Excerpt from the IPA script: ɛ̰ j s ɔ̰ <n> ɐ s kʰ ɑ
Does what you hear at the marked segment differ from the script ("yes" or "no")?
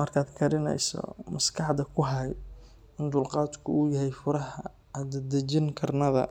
yes